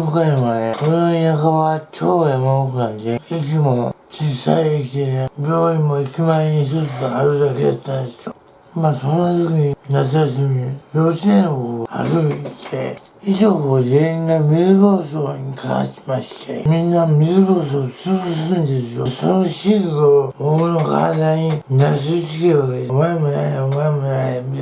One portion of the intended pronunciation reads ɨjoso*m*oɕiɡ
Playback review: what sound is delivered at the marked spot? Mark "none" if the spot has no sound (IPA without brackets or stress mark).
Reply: n